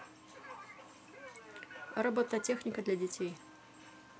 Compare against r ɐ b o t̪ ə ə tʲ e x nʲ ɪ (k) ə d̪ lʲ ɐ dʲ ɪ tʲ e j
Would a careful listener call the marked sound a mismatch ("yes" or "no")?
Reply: no